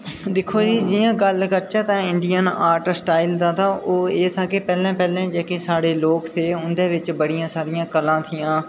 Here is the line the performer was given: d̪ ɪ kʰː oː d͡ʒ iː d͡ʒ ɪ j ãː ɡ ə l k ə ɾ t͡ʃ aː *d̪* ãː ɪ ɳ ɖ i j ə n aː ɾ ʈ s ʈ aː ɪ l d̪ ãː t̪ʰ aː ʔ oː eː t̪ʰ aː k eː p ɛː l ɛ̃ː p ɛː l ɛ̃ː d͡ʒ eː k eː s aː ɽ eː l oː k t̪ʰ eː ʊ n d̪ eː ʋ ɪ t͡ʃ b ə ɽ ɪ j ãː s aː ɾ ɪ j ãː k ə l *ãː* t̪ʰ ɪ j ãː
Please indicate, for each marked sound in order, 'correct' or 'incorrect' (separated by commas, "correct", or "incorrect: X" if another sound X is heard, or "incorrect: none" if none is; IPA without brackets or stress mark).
incorrect: t̪, correct